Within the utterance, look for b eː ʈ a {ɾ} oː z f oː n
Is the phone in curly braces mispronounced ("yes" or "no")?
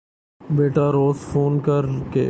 no